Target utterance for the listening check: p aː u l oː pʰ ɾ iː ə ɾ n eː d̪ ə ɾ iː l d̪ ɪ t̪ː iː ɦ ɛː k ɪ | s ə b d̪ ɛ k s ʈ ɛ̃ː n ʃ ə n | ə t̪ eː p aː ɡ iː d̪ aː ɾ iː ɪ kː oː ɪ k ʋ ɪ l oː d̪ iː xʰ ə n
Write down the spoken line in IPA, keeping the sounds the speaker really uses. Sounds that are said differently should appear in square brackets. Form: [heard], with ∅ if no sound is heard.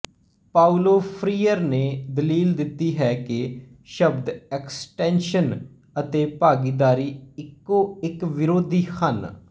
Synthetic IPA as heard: p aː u l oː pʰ ɾ iː ə ɾ n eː d̪ ə [l] iː l d̪ ɪ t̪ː iː ɦ ɛː k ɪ | [ʃ] ə b d̪ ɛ k s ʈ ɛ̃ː n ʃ ə n | ə t̪ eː p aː ɡ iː d̪ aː ɾ iː ɪ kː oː ɪ k ʋ ɪ [ɾ] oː d̪ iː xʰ ə n